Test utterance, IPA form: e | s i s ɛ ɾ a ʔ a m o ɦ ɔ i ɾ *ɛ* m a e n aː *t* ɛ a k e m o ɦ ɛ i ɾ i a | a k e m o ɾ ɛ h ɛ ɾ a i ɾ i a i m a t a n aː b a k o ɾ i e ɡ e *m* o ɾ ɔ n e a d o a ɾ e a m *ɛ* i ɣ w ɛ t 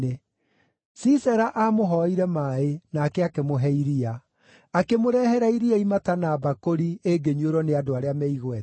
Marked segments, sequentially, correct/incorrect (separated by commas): correct, incorrect, incorrect, correct